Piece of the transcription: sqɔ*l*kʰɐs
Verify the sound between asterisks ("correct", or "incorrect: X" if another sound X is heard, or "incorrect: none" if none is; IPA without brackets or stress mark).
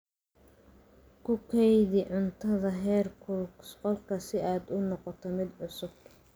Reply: correct